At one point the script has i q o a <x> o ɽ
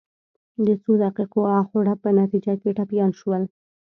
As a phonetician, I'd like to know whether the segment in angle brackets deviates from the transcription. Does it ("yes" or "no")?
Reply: no